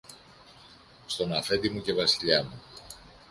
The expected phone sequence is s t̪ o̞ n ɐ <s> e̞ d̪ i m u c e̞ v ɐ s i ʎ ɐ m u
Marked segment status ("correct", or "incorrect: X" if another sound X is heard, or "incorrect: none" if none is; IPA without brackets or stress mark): incorrect: f